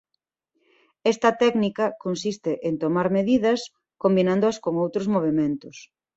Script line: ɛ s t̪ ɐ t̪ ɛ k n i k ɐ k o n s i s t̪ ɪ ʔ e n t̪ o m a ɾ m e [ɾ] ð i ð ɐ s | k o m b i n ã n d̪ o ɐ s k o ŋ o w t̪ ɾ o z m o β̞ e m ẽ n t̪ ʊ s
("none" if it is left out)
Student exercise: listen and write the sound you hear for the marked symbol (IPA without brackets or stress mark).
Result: none